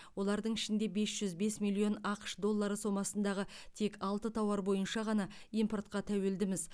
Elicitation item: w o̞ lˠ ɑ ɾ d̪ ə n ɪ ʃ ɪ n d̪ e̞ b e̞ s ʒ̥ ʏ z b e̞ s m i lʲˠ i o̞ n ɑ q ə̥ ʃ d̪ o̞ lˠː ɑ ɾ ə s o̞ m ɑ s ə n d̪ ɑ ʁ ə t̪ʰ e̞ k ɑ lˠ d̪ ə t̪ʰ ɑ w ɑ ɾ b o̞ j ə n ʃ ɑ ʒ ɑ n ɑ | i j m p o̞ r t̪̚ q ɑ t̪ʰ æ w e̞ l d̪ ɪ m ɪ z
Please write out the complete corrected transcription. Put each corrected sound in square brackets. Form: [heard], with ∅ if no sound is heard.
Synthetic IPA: w o̞ lˠ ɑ ɾ d̪ ə [ɴ] ɪ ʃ ɪ n d̪ e̞ b e̞ s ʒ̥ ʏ z b e̞ s m i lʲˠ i o̞ n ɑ q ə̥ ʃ d̪ o̞ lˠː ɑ ɾ ə s o̞ m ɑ s ə n d̪ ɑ ʁ ə t̪ʰ e̞ k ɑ lˠ [t̪] ə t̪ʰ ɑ w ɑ ɾ b o̞ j ə n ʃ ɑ [ʁ] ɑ n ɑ | i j m p o̞ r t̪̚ q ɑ t̪ʰ æ w e̞ l d̪ ɪ m ɪ z